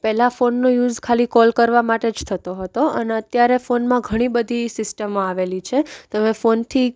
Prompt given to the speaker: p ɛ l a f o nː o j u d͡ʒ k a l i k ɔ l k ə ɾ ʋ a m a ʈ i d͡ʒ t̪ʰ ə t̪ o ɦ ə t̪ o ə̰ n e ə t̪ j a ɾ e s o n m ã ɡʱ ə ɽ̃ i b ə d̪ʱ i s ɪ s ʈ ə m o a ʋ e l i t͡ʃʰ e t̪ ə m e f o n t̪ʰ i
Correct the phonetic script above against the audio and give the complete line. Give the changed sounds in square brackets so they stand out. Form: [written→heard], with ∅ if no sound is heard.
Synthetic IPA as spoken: p ɛ l a f o nː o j u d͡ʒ [k→kʰ] a l i k ɔ l k ə ɾ ʋ a m a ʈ [i→e] d͡ʒ t̪ʰ ə t̪ o ɦ ə t̪ o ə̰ n e ə t̪ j a ɾ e [s→f] o n m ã ɡʱ ə ɽ̃ i b ə d̪ʱ i s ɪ s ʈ ə m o a ʋ e l i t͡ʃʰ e t̪ ə m e f o n t̪ʰ i